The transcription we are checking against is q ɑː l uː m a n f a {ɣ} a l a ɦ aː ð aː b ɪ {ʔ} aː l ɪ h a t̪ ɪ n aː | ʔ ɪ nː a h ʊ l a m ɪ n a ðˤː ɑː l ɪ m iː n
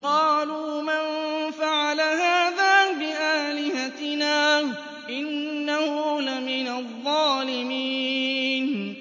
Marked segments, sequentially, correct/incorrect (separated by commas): incorrect, correct